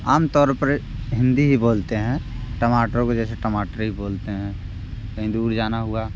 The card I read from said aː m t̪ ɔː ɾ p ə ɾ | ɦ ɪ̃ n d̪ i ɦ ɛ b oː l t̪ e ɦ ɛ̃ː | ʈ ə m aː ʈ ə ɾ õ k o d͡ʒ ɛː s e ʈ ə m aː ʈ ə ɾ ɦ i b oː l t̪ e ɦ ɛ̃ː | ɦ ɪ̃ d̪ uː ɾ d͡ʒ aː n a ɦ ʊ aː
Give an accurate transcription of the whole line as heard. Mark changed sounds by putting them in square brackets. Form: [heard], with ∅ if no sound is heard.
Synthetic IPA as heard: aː m t̪ ɔː ɾ p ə ɾ | ɦ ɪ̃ n d̪ i ɦ [i] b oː l t̪ e ɦ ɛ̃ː | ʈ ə m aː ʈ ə ɾ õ k o d͡ʒ ɛː s e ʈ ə m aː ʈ ə ɾ ɦ i b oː l t̪ e ɦ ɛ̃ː | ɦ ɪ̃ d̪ uː ɾ d͡ʒ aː n a ɦ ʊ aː